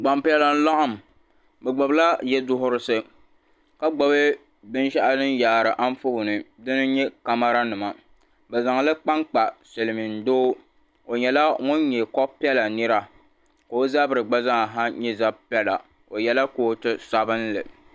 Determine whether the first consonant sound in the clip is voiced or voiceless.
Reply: voiced